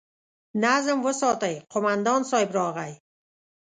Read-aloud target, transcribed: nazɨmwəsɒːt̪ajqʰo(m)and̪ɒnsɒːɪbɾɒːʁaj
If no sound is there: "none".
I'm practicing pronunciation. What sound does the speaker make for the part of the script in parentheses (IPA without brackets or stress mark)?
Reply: m